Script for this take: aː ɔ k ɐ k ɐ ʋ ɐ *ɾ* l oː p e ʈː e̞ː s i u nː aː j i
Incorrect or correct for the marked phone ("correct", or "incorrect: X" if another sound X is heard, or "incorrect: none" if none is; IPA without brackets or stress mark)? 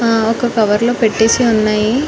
correct